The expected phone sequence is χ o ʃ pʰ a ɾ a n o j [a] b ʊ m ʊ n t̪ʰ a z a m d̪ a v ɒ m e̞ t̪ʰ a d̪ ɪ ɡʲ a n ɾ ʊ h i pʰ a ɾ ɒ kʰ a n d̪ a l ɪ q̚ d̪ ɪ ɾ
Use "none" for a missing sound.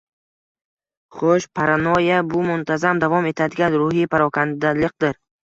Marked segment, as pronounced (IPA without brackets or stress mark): a